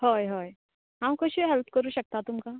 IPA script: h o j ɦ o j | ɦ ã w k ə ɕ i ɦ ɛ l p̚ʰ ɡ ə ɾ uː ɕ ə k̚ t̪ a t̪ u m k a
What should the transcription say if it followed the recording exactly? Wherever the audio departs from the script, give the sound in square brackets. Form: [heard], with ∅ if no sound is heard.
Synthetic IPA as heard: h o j ɦ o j | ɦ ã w k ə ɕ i ɦ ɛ l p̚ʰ [k] ə ɾ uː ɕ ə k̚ t̪ a t̪ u m k a